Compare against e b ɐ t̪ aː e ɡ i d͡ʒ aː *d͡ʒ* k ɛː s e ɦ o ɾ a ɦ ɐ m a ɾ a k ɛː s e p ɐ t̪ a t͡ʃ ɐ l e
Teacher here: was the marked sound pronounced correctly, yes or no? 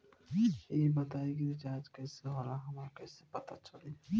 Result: yes